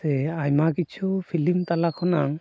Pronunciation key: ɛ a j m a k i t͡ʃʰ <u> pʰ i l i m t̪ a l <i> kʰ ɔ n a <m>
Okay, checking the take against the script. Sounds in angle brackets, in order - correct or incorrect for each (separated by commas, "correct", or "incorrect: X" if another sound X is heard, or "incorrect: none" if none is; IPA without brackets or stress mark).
correct, incorrect: a, incorrect: ŋ